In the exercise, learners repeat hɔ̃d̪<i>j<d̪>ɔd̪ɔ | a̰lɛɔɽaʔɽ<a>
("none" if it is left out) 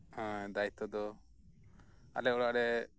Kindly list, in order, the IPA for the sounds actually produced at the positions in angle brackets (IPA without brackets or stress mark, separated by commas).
a, t̪, ɛ